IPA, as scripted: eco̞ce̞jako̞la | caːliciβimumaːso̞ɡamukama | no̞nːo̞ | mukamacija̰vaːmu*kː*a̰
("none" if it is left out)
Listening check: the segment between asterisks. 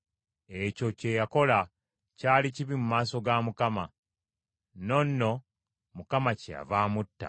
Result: tː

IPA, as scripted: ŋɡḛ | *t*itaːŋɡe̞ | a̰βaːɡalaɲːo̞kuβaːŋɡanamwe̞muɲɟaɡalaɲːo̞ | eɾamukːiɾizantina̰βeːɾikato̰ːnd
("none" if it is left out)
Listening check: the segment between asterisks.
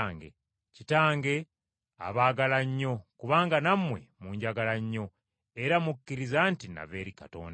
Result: c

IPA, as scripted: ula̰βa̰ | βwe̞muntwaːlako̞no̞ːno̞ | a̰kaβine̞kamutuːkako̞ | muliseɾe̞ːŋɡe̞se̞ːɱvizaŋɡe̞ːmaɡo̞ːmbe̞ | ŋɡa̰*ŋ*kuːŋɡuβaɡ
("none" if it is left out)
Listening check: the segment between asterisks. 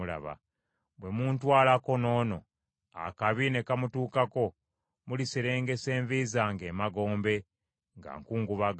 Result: ŋ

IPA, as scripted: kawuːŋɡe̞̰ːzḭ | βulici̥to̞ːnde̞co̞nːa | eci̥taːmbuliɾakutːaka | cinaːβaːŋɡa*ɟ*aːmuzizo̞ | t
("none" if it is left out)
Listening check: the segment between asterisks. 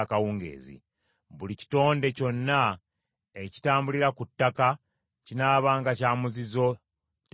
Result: c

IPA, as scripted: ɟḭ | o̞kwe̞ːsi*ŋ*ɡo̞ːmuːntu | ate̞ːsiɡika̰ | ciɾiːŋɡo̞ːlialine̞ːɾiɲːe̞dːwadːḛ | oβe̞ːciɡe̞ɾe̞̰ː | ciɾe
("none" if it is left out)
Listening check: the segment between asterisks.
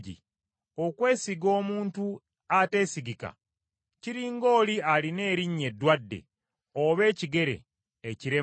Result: none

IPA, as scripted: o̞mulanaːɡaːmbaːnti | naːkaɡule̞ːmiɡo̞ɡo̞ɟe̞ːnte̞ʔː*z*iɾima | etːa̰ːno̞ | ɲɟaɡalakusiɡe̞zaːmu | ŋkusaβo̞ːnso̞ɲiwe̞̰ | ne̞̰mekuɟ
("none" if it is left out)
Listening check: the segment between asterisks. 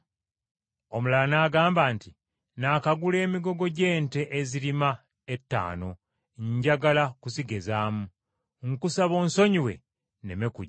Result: z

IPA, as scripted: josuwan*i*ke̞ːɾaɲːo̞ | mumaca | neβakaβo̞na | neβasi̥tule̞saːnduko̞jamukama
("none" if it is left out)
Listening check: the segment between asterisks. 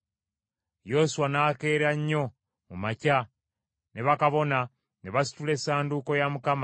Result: a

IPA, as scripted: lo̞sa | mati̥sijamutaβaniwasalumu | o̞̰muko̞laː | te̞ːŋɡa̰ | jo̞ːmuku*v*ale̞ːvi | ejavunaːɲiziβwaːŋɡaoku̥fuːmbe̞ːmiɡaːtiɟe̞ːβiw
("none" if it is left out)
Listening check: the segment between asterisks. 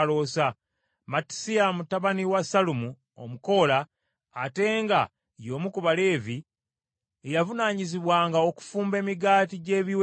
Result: β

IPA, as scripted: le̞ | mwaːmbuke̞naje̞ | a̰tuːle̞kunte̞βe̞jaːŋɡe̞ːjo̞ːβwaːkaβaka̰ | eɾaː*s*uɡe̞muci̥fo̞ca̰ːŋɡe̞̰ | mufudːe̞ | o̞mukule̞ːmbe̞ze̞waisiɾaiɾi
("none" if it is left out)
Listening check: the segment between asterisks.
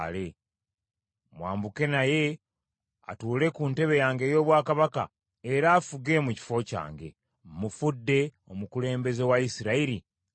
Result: f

